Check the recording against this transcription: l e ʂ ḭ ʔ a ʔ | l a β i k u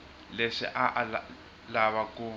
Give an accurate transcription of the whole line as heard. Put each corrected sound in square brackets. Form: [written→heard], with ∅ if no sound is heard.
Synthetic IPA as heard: l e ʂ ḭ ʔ a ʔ | l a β [i→a] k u